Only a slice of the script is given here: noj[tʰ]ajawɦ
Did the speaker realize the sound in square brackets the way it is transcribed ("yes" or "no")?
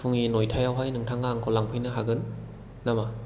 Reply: yes